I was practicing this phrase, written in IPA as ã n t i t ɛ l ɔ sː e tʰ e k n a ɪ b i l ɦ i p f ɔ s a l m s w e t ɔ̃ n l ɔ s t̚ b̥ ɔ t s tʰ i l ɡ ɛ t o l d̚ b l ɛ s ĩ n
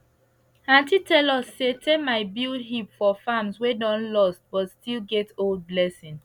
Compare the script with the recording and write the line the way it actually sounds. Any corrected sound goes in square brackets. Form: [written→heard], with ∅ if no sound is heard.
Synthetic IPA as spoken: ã n t i t ɛ l ɔ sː e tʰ e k [n→m] a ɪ b i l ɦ i p f ɔ [s→f] a [l→∅] m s w e [t→d] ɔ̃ n l ɔ s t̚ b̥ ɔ t s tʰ i l ɡ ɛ t o l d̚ b l ɛ s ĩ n